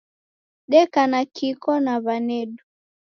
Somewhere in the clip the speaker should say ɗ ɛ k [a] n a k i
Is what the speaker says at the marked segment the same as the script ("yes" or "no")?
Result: yes